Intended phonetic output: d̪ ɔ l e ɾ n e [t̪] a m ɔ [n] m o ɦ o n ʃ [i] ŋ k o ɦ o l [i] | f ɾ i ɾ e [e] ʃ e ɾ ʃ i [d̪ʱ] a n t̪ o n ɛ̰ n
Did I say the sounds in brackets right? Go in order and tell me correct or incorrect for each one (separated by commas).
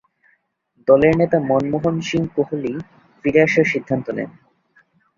correct, correct, correct, correct, incorrect, incorrect